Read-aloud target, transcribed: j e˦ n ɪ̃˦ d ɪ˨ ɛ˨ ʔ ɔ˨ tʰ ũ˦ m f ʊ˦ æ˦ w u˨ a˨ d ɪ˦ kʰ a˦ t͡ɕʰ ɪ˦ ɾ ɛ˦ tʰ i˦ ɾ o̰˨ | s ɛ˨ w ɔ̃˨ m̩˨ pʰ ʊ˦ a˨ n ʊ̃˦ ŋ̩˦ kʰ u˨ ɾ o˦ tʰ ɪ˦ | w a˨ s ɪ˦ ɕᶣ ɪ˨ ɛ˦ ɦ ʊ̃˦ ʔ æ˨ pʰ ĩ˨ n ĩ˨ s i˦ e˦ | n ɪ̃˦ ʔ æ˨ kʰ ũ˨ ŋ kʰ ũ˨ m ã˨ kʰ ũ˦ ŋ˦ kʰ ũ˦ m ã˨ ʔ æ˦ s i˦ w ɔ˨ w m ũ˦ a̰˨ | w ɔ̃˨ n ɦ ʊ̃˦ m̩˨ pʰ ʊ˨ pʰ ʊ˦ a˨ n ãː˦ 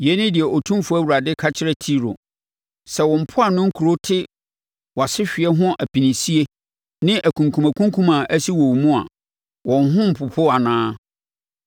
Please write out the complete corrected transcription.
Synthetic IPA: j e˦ n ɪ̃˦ d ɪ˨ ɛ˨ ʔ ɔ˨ tʰ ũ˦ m f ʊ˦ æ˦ w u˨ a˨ d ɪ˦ kʰ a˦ t͡ɕʰ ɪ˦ ɾ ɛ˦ tʰ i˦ ɾ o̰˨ | s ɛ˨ w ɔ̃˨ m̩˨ pʰ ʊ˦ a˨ n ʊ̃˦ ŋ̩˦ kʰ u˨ ɾ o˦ tʰ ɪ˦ | w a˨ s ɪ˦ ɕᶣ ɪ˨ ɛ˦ ɦ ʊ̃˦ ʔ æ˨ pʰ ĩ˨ n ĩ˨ s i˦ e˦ | n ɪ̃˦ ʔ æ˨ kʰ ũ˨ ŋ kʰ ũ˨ m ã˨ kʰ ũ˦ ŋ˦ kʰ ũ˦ m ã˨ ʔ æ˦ s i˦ w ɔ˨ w m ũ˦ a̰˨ | w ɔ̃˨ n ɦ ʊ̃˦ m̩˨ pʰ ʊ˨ pʰ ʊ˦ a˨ n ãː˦